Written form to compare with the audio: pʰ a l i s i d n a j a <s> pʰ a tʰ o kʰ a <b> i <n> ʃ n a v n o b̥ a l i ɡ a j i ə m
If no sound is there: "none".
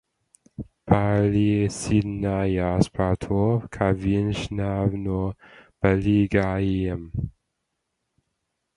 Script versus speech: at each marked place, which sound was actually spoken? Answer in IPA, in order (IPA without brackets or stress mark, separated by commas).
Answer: s, v, n